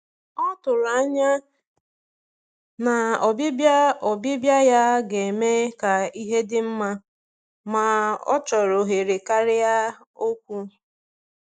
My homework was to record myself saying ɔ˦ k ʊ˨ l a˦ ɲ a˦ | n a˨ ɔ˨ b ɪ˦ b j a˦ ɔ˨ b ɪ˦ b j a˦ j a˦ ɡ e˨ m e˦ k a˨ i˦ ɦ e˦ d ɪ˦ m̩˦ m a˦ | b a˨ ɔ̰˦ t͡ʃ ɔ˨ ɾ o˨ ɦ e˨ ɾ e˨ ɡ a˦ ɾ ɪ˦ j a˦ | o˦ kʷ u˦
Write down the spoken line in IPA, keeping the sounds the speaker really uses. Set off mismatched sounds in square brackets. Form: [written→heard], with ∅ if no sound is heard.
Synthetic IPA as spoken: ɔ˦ [k→t] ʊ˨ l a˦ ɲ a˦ | n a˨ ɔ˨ b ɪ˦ b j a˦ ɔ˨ b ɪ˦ b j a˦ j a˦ ɡ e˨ m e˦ k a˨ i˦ ɦ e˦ d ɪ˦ m̩˦ m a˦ | [b→m] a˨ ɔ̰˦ t͡ʃ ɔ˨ ɾ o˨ ɦ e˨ ɾ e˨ [ɡ→k] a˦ ɾ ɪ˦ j a˦ | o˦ kʷ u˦